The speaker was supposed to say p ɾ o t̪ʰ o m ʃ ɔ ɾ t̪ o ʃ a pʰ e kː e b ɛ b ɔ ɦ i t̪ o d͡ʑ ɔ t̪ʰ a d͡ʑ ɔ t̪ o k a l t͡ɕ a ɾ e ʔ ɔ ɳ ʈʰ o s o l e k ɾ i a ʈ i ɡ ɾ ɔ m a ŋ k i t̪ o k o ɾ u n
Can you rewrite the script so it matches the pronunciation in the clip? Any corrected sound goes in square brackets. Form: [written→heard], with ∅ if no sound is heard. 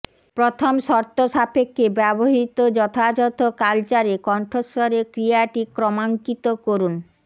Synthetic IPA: p ɾ o t̪ʰ o m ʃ ɔ ɾ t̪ o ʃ a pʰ e kː e b ɛ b [ɔ→o] ɦ i t̪ o d͡ʑ ɔ t̪ʰ a d͡ʑ ɔ t̪ o k a l t͡ɕ a ɾ e [ʔ→k] ɔ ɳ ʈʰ o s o [l→ɾ] e k ɾ i a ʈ i [ɡ→k] ɾ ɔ m a ŋ k i t̪ o k o ɾ u n

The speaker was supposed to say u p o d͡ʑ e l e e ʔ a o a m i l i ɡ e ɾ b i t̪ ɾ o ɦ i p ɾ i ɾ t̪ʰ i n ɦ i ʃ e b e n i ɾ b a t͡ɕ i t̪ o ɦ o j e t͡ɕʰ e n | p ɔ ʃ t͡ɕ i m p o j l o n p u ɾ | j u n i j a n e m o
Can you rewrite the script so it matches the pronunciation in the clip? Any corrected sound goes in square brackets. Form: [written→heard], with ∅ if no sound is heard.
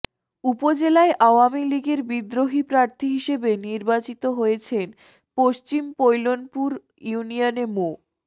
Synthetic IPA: u p o d͡ʑ e l [e→a] e ʔ a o a m i l i ɡ e ɾ b i [t̪→d̪] ɾ o ɦ i p ɾ [i→a] ɾ t̪ʰ i [n→∅] ɦ i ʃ e b e n i ɾ b a t͡ɕ i t̪ o ɦ o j e t͡ɕʰ e n | p [ɔ→o] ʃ t͡ɕ i m p o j l o n p u ɾ | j u n i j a n e m o

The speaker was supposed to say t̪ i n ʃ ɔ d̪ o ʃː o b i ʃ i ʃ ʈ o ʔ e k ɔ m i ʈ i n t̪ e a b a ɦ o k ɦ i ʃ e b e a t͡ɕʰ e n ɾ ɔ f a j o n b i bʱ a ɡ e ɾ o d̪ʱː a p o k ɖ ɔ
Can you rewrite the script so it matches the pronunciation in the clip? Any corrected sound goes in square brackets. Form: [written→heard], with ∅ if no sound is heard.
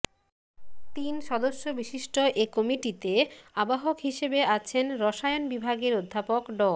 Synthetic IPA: t̪ i n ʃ ɔ d̪ o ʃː o b i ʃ i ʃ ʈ o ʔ e k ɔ m i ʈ i [n→∅] t̪ e a b a ɦ o k ɦ i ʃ e b e a t͡ɕʰ e n ɾ ɔ [f→ʃ] a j o n b i bʱ a ɡ e ɾ o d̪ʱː a p o k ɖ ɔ

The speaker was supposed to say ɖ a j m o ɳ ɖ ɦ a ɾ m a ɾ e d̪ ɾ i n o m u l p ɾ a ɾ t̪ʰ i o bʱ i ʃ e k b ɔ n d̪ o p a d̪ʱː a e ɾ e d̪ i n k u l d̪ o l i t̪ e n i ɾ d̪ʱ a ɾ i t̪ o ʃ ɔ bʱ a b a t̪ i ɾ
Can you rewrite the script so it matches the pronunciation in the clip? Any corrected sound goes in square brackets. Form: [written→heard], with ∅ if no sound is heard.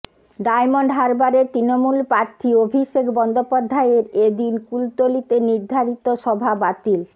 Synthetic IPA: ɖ a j m o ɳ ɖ ɦ a ɾ [m→b] a ɾ e [d̪→t̪] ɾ i n o m u l p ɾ a ɾ t̪ʰ i o bʱ i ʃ e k b ɔ n d̪ o p a d̪ʱː a e ɾ e d̪ i n k u l [d̪→t̪] o l i t̪ e n i ɾ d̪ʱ a ɾ i t̪ o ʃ ɔ bʱ a b a t̪ i [ɾ→l]

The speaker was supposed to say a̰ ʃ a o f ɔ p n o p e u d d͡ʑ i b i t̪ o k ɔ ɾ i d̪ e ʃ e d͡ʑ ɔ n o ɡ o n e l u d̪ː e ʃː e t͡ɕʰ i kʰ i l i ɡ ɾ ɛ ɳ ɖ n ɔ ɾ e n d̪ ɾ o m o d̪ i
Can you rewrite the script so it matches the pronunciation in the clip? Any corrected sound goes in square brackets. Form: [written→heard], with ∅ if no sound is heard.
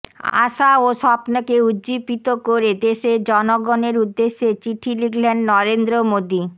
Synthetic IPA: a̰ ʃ a o [f→ʃ] ɔ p n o [p→k] e u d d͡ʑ i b i t̪ o k [ɔ→o] ɾ [i→e] d̪ e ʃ e d͡ʑ ɔ n o ɡ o n e [l→ɾ] u d̪ː e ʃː e [t͡ɕʰ→t͡ɕ] i [kʰ→ʈʰ] i l i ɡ [ɾ→l] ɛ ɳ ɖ n ɔ ɾ e n d̪ ɾ o m o d̪ i

